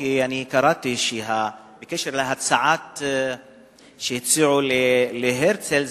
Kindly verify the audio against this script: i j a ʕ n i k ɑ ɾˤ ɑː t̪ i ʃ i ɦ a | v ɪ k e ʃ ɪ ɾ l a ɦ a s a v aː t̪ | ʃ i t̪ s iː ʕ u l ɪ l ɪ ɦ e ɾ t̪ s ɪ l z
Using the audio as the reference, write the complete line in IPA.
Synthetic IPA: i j a ʕ n i k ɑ ɾˤ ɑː t̪ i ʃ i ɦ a | b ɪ k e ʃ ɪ ɾ l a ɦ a s a ʕ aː t̪ | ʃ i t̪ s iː ʕ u l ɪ l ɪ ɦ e ɾ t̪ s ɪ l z